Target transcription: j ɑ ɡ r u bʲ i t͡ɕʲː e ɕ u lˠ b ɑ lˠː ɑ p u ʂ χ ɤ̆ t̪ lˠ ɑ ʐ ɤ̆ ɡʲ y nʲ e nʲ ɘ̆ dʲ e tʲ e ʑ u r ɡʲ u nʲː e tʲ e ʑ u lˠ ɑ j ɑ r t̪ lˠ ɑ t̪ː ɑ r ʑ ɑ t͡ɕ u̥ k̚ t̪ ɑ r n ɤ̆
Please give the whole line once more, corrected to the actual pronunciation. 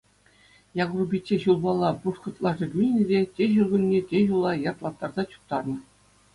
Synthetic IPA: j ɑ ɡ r u bʲ i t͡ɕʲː e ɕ u lˠ b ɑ lˠː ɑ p u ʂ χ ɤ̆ t̪ lˠ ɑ ʐ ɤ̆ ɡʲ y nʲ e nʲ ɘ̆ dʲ e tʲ e ʑ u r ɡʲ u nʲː e tʲ e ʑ u lˠ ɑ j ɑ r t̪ lˠ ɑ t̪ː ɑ r z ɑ t͡ɕ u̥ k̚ t̪ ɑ r n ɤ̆